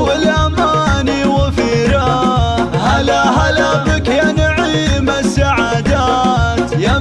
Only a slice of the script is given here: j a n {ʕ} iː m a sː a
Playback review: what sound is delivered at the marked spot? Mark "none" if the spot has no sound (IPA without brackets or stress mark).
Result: ʕ